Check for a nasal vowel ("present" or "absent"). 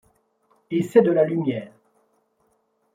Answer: absent